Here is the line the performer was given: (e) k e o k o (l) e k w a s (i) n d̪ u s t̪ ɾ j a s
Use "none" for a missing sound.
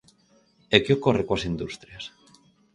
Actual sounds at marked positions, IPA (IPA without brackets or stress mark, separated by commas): e, r, i